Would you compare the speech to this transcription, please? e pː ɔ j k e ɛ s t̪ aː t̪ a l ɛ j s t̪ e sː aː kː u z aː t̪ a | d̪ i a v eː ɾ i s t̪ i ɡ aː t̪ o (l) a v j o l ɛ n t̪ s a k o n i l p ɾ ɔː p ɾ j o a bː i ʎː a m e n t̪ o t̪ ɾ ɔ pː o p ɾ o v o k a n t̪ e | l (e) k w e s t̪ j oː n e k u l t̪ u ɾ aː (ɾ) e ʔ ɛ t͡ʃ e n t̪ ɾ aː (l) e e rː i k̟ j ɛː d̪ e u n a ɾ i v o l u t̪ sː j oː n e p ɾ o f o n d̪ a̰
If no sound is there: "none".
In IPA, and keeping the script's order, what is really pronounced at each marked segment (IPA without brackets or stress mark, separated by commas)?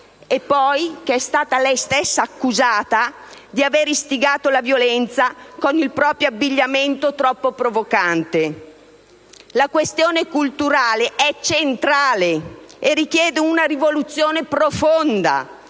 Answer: l, a, l, l